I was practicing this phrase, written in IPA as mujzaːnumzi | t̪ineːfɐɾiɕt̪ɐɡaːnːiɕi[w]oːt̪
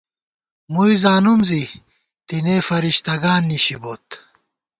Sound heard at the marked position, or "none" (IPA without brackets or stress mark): b